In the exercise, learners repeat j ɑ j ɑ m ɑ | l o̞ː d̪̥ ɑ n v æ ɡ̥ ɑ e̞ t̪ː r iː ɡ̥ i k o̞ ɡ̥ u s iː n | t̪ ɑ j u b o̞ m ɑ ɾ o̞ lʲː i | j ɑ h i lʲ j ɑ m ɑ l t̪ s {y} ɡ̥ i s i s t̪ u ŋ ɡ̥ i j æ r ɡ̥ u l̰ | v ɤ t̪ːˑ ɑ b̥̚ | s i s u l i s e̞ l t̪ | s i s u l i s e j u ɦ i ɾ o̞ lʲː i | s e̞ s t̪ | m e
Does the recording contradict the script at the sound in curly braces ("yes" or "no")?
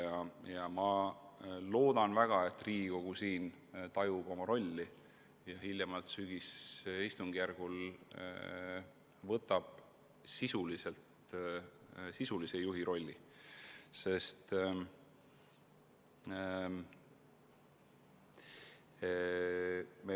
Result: no